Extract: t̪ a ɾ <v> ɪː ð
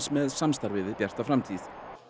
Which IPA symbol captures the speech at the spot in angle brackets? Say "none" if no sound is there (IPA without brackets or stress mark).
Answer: v